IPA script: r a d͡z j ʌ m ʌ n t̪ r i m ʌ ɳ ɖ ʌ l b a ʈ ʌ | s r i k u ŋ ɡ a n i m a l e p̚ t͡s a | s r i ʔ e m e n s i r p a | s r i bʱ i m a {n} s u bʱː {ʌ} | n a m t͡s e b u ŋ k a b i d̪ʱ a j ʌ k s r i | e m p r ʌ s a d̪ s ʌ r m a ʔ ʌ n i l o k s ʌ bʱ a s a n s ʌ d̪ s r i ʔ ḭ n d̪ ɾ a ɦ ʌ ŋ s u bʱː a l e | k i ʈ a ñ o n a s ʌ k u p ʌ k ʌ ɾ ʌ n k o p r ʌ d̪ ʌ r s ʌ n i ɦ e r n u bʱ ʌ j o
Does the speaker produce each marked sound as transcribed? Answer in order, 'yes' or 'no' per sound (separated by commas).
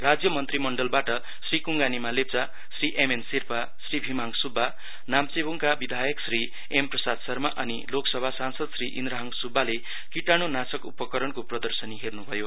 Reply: no, no